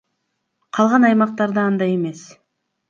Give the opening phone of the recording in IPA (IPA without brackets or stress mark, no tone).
qʰ